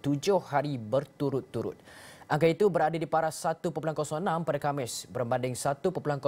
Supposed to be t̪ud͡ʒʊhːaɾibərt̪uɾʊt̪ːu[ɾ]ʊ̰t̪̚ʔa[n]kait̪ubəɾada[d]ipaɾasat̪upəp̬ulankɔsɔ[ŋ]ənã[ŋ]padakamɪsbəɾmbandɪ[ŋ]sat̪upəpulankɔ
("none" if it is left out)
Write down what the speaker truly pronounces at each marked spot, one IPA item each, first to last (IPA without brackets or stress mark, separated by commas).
ɾ, ŋ, d, ŋ, m, ŋ